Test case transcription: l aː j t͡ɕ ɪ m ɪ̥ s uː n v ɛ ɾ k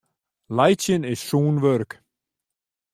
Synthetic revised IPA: l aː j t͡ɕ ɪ n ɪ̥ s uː n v œ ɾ k